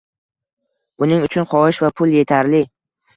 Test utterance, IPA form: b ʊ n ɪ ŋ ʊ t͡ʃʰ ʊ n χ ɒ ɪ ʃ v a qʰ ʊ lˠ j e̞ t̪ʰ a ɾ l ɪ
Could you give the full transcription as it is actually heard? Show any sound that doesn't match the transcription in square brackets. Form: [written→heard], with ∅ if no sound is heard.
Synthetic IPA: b ʊ n ɪ ŋ ʊ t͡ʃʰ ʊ n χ ɒ ɪ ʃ v a [qʰ→pʰ] ʊ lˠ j e̞ t̪ʰ a ɾ l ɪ